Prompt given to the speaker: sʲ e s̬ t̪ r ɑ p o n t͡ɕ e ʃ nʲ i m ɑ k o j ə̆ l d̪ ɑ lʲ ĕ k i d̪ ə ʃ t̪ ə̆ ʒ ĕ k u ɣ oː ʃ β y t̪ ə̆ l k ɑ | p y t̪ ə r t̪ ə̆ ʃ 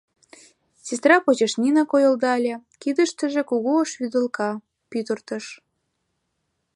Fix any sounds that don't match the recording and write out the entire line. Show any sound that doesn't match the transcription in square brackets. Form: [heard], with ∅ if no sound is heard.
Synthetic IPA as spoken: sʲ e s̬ t̪ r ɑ p o [∅] t͡ɕ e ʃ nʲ i [n] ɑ k o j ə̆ l d̪ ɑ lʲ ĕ k i d̪ ə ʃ t̪ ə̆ ʒ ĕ k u ɣ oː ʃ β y [d̪] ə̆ l k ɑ | p y t̪ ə r t̪ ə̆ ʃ